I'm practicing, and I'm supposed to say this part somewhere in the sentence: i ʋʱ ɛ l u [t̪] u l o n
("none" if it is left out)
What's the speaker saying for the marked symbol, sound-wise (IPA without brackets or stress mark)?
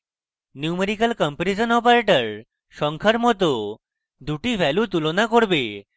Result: t̪